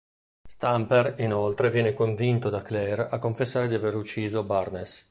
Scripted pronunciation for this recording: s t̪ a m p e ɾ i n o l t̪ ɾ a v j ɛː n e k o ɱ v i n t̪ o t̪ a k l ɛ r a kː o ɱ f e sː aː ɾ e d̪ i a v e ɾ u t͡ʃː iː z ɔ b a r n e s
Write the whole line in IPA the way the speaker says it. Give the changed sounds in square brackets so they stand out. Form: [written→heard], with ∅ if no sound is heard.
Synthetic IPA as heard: s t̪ a m p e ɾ i n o l t̪ ɾ [a→e] v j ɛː n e k o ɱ v i n t̪ o [t̪→d̪] a k l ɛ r a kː o ɱ f e sː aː ɾ e d̪ i a v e ɾ u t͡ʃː iː z [ɔ→o] b a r n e s